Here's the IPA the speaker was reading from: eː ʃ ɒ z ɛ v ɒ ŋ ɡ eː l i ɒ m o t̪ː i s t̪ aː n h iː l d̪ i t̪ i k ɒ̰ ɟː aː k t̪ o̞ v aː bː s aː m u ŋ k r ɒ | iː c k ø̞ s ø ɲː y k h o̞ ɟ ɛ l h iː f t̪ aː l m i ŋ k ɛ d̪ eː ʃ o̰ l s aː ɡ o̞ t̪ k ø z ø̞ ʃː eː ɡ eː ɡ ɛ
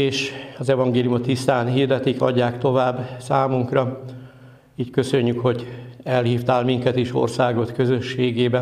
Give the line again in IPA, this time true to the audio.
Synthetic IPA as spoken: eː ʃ ɒ z ɛ v ɒ ŋ ɡ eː l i u m o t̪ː i s t̪ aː n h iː r d̪ ɛ t̪ i k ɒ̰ ɟː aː k t̪ o̞ v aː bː s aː m u ŋ k r ɒ | iː c k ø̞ s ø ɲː y k h o̞ ɟ ɛ l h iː f t̪ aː l m i ŋ k ɛ t̪ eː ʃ o̰ r s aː ɡ o̞ t̪ k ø z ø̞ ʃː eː ɡ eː b ɛ